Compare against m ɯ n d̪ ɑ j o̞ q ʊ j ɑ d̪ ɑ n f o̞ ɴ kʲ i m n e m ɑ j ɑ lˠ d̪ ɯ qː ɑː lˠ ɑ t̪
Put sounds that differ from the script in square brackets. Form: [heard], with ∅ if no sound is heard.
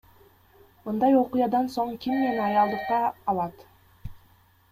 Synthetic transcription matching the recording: m ɯ n d̪ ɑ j o̞ q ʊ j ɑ d̪ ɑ n [s] o̞ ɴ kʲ i m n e [n] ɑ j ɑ lˠ d̪ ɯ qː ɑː lˠ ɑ t̪